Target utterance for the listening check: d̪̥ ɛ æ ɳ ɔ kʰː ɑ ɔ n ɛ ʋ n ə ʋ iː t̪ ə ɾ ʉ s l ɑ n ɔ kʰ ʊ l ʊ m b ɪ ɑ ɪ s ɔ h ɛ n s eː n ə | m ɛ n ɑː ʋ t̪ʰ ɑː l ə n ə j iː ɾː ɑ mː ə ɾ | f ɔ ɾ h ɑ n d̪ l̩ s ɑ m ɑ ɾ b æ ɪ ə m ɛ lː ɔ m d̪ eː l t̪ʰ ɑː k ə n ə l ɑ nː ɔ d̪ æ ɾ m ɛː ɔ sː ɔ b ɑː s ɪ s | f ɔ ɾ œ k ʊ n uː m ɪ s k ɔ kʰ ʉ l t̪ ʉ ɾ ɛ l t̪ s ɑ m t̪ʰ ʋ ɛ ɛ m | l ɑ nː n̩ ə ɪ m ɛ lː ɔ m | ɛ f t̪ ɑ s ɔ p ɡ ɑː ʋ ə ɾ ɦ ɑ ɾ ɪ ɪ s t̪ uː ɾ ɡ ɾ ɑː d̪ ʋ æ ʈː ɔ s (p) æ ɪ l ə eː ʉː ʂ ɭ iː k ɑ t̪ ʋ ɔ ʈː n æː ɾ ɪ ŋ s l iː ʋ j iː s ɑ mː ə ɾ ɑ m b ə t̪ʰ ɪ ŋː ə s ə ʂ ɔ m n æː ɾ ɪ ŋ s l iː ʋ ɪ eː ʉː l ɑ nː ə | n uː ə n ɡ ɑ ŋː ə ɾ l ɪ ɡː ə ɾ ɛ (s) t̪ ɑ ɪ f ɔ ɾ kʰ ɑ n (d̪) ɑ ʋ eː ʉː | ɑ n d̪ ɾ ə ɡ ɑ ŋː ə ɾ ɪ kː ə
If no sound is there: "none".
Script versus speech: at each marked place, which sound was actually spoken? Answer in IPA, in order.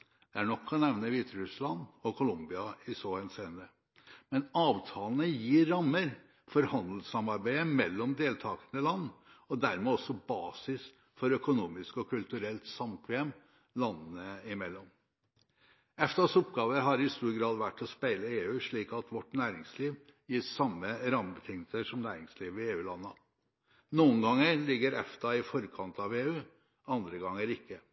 p, f, t̪

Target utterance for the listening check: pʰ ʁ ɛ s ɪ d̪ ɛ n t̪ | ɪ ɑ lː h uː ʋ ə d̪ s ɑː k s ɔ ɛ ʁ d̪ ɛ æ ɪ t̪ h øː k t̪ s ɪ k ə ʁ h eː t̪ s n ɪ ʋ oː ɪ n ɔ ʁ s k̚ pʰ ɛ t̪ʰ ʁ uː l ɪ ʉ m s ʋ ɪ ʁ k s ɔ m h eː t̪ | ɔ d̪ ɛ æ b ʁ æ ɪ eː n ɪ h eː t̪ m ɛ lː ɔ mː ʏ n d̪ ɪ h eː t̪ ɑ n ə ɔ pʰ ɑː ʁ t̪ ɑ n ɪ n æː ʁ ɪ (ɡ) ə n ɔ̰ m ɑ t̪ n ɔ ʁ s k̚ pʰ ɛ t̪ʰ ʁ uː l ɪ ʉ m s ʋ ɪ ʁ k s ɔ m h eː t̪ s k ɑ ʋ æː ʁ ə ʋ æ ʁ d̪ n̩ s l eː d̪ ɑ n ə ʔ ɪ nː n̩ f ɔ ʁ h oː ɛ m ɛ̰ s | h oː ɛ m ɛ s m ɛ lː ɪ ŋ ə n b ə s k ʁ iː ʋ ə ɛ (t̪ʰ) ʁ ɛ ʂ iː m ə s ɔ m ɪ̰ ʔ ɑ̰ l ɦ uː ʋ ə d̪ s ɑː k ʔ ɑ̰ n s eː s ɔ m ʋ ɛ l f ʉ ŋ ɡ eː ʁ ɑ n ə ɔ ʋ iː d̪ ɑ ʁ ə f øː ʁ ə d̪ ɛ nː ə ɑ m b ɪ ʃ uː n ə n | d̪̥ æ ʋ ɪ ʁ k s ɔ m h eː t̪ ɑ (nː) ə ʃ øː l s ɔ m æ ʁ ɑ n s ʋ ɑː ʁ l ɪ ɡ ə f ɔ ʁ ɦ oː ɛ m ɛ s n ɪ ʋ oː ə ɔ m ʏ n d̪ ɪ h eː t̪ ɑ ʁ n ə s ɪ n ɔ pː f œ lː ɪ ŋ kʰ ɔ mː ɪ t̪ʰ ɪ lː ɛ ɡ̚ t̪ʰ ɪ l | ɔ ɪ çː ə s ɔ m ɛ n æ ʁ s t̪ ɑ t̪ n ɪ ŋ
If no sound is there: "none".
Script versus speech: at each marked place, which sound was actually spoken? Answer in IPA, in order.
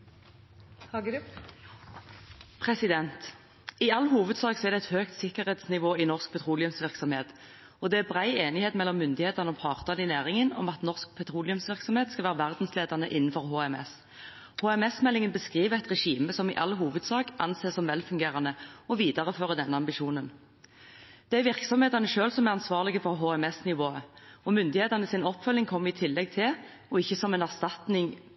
ŋ, t̪, n

